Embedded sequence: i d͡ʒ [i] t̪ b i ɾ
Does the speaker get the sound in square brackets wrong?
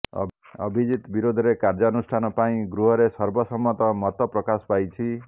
no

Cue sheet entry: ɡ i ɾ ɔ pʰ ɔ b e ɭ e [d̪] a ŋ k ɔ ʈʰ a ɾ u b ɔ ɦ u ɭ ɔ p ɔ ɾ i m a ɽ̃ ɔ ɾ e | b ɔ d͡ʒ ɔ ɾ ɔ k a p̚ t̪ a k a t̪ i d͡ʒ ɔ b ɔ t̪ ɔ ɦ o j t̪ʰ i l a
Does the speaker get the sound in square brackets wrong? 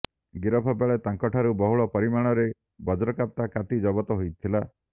yes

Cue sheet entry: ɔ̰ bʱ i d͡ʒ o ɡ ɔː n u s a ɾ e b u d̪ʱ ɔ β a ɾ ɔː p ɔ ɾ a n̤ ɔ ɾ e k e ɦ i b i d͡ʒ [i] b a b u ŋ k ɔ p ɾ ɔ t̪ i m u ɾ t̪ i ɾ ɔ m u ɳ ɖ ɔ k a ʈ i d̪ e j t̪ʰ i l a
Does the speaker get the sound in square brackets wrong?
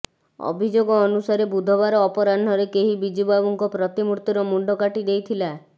no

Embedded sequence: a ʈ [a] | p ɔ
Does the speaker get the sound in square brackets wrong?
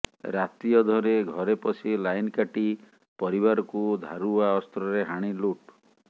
yes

